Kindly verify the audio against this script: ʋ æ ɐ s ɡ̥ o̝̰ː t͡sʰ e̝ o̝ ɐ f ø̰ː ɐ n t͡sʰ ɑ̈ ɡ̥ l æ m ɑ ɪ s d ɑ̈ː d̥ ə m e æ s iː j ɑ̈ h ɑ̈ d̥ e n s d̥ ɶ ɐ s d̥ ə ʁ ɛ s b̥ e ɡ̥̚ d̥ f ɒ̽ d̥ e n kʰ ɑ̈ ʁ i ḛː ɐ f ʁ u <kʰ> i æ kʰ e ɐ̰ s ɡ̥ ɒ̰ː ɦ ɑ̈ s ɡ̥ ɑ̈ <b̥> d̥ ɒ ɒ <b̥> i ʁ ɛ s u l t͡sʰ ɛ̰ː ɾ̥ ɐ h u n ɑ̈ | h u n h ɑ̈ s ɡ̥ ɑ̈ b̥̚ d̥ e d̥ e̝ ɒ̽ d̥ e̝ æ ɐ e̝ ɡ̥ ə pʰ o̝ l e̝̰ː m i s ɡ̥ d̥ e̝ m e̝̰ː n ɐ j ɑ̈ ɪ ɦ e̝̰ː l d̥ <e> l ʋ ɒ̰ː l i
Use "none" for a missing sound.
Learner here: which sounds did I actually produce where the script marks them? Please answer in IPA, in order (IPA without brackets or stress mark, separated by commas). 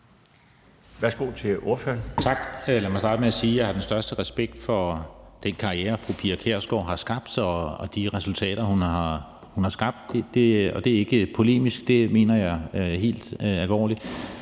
pʰ, b̥, d̥, æ